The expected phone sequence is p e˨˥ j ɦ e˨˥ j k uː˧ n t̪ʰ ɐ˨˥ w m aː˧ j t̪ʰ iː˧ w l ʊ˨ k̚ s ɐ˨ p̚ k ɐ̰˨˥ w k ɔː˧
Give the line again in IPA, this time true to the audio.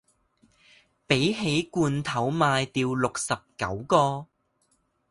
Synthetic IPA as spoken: p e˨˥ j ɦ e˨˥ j k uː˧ n t̪ʰ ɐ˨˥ w m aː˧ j t̪ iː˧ w l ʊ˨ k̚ s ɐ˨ p̚ k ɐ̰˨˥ w k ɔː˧